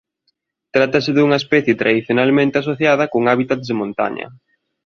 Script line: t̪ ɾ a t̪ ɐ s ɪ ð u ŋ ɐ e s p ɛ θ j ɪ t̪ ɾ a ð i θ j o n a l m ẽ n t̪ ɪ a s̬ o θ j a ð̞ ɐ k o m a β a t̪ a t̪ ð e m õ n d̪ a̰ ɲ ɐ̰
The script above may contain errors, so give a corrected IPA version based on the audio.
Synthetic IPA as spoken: t̪ ɾ a t̪ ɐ s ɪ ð u ŋ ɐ e s p ɛ θ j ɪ t̪ ɾ a ð i θ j o n a l m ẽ n t̪ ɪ a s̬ o θ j a ð̞ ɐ k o ŋ a β i t̪ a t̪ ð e m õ n t̪ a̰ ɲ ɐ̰